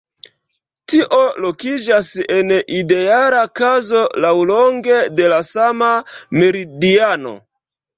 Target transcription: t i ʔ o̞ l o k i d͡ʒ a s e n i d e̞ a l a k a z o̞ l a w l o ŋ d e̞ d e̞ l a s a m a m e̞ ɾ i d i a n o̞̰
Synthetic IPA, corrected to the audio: t i ʔ o̞ l o k i d͡ʒ a s e n i d e̞ a l a k a z o̞ l a w l o ŋ ɡ e̞ d e̞ l a s a m a m e̞ ɾ i d i a n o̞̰